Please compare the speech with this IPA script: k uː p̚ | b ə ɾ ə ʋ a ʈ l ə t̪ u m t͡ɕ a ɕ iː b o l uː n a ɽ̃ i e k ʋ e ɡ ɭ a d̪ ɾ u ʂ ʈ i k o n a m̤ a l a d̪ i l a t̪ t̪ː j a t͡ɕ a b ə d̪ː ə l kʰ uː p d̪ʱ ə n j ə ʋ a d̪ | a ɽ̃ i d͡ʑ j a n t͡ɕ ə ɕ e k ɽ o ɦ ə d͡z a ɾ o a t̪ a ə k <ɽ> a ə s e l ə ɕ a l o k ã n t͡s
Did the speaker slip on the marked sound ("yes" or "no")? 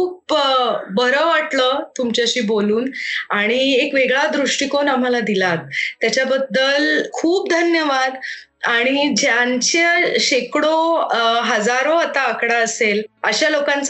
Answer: no